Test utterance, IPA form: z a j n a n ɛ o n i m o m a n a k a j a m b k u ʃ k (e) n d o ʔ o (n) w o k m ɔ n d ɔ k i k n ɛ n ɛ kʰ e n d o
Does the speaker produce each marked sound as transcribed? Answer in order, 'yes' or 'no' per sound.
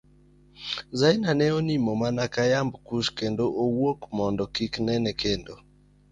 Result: yes, no

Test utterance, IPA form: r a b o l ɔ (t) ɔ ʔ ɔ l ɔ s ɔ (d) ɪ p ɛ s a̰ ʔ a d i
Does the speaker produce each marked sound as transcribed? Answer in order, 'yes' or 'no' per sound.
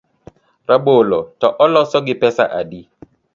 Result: yes, no

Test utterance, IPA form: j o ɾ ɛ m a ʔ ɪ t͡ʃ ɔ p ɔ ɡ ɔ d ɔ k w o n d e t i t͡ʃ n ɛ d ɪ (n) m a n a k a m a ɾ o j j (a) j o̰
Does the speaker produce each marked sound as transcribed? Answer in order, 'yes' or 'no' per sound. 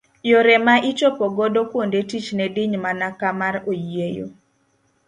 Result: no, no

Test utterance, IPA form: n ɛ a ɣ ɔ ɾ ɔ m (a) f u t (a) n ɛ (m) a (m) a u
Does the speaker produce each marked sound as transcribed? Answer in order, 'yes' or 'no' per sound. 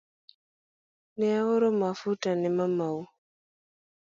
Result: yes, yes, yes, yes

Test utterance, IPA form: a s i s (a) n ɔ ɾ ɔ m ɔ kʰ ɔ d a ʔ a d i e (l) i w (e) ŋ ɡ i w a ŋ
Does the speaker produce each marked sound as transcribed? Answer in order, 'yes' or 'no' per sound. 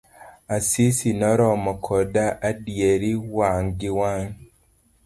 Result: no, no, no

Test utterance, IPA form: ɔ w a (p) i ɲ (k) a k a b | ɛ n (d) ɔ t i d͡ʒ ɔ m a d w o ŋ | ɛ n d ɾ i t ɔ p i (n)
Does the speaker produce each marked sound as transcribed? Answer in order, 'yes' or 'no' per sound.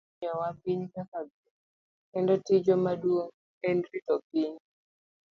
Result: yes, yes, yes, no

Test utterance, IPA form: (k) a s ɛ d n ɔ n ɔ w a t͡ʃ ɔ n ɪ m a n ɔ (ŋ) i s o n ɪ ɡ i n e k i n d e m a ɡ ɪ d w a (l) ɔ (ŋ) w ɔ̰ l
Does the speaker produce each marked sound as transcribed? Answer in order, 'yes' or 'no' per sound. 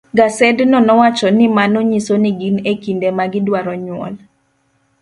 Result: no, no, no, no

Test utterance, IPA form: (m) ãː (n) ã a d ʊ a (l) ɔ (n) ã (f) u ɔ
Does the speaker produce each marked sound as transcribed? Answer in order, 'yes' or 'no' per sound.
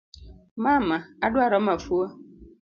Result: yes, no, no, no, yes

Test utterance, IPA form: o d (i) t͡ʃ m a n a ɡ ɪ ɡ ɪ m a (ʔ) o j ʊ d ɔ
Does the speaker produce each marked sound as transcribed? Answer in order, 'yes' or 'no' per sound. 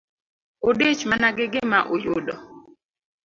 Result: no, yes

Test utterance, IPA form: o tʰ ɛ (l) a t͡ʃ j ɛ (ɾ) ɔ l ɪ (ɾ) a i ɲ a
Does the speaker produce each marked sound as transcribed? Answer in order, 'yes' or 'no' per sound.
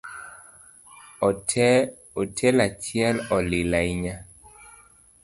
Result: yes, no, no

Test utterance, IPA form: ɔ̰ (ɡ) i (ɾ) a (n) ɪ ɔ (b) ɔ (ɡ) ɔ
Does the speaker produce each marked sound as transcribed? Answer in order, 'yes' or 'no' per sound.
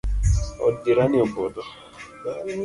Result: no, yes, yes, yes, no

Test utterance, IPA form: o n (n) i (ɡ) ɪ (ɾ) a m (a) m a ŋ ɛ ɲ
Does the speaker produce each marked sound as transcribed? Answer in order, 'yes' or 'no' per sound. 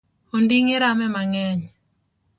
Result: no, no, yes, no

